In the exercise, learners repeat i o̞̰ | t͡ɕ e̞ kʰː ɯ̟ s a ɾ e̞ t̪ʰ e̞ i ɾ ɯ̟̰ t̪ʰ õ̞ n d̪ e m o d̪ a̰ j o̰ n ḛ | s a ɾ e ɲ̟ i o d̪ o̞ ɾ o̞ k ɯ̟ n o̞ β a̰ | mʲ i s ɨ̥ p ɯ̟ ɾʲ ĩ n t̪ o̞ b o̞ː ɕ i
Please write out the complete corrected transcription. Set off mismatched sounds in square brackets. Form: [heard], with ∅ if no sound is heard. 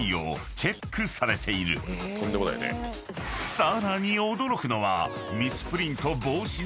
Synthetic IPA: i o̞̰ | t͡ɕ e̞ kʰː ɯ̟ s a ɾ e̞ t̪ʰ e̞ i ɾ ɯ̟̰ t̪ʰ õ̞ n d̪ e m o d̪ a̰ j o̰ n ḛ | s a ɾ [a] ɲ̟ i o d̪ o̞ ɾ o̞ k ɯ̟ n o̞ β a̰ | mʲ i s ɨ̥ p ɯ̟ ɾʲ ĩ n t̪ o̞ b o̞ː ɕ i